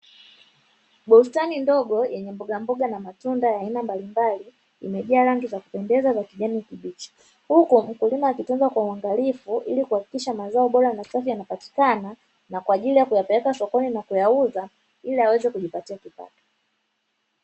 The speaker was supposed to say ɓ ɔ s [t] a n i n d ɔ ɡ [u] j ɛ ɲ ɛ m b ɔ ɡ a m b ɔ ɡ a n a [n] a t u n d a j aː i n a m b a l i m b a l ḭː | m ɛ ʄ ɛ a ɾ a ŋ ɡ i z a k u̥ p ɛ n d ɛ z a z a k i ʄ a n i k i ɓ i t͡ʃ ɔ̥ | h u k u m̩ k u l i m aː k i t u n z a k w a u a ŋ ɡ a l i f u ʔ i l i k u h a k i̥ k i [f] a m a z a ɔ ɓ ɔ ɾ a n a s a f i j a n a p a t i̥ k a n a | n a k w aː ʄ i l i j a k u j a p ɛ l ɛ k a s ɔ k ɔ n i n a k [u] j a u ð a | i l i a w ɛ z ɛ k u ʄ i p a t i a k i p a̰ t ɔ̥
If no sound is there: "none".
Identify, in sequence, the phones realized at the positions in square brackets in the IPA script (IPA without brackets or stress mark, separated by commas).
t, ɔ, m, ʃ, u